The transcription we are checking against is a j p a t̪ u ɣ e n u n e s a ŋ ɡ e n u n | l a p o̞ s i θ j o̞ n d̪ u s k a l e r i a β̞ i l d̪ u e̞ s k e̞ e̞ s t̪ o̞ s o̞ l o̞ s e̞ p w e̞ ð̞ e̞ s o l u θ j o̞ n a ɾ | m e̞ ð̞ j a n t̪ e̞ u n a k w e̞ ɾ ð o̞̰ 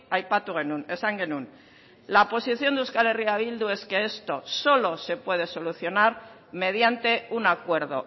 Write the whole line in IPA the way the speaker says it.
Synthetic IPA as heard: a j p a t̪ u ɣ e n u n e s a ŋ ɡ e n u n | l a p o̞ s i θ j o̞ n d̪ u s k a l e r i a β̞ i l d̪ u e̞ s k e̞ e̞ s t̪ o̞ s o̞ l o̞ s e̞ p w e̞ ð̞ e̞ s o l u θ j o̞ n a ɾ | m e̞ ð̞ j a n t̪ e̞ u n a k w e̞ ɾ ð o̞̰